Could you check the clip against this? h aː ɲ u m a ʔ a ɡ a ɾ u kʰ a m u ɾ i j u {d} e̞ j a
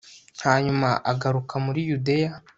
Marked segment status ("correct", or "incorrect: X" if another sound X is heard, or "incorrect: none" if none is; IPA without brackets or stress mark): correct